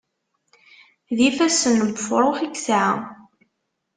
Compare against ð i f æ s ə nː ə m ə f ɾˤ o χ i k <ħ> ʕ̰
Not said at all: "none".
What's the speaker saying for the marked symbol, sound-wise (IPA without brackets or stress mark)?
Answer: s